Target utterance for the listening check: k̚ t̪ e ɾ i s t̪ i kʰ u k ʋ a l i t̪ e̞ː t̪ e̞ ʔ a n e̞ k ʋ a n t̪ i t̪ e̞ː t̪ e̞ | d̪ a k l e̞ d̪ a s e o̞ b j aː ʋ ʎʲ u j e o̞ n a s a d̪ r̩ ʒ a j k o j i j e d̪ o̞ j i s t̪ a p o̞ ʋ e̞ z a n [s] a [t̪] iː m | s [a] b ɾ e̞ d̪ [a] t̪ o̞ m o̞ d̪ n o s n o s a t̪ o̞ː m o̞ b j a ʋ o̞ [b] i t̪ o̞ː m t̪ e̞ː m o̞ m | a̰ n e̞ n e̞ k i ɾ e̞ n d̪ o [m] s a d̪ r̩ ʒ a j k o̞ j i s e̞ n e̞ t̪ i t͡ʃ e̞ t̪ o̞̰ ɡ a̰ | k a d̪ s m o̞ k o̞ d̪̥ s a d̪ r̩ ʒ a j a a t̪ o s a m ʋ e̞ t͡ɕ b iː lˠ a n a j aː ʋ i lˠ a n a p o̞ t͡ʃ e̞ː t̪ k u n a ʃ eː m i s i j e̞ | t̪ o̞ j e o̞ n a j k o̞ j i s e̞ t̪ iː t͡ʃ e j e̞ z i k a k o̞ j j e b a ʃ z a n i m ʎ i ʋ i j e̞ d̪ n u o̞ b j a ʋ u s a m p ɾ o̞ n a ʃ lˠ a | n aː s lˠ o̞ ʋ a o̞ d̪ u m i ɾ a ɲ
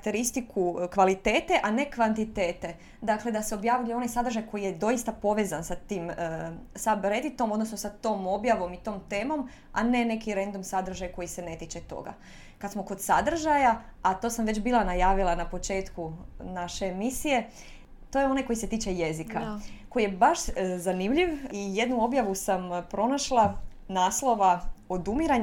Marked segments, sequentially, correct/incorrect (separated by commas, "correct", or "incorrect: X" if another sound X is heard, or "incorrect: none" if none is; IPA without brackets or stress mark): correct, correct, correct, incorrect: i, incorrect: m, correct